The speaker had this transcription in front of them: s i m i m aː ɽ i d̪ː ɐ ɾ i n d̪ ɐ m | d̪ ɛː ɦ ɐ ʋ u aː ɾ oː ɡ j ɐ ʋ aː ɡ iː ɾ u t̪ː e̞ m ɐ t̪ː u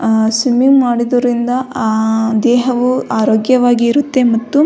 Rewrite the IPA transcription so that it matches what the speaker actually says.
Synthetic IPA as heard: s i m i m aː ɽ i d̪ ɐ ɾ i n d̪ ɐ | d̪ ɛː ɦ ɐ ʋ u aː ɾ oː ɡ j ɐ ʋ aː ɡ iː ɾ u t̪ː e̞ m ɐ t̪ː u